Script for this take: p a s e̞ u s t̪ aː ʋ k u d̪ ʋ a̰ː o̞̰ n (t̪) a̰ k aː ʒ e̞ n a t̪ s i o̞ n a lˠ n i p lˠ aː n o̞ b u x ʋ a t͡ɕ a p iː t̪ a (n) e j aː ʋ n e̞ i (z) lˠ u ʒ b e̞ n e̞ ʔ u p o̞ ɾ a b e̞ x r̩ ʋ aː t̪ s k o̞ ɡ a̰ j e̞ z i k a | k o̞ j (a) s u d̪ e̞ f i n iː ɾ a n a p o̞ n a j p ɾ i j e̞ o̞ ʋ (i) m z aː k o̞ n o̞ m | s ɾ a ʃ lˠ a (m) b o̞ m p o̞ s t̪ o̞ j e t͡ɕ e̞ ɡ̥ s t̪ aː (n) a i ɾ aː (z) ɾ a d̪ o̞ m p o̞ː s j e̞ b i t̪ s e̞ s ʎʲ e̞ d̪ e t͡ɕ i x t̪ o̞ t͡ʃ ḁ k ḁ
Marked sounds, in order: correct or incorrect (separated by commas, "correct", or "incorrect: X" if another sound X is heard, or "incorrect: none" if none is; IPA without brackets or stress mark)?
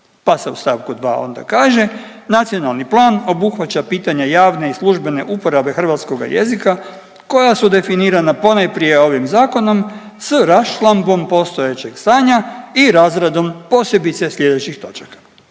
incorrect: d̪, incorrect: ɲ, incorrect: s, correct, correct, correct, incorrect: ɲ, correct